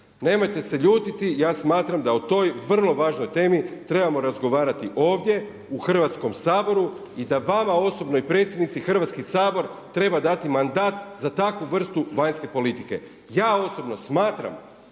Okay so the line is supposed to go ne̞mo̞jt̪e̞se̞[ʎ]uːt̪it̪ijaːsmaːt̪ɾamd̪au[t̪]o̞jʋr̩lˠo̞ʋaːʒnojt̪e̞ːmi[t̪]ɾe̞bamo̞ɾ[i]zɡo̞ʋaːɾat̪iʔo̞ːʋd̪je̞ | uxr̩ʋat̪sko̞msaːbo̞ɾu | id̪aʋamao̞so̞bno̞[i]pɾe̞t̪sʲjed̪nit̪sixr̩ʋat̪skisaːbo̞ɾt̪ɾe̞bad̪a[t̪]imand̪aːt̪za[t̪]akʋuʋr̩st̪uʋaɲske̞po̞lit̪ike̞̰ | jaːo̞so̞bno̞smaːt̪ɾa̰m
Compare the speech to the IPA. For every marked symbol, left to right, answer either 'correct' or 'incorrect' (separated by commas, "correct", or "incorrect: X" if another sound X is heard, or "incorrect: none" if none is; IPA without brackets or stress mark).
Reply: correct, correct, correct, incorrect: a, correct, correct, correct